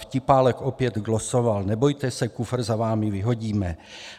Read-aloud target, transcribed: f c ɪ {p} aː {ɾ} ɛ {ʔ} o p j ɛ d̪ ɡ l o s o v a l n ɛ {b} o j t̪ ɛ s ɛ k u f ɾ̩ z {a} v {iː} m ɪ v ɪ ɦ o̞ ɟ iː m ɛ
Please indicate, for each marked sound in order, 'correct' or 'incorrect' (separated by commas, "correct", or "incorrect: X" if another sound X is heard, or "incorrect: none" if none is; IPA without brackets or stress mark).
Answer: correct, incorrect: l, incorrect: k, correct, correct, incorrect: aː